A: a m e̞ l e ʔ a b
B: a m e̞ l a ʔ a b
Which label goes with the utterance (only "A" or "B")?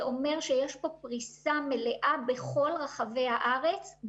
A